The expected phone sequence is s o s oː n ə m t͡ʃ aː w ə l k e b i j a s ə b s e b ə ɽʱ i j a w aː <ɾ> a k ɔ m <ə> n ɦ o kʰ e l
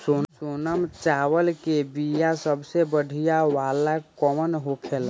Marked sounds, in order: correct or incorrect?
incorrect: l, correct

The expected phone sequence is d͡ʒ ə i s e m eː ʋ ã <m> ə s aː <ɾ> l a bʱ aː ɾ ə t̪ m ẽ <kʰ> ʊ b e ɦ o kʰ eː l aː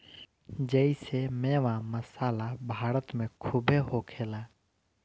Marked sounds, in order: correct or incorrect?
correct, incorrect: none, correct

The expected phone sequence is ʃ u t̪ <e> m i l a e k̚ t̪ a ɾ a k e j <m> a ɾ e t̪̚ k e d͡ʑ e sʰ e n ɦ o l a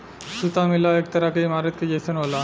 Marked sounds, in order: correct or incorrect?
incorrect: a, correct

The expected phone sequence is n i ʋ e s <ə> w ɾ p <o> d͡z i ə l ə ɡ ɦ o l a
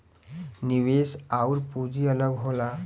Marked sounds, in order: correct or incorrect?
incorrect: a, incorrect: u

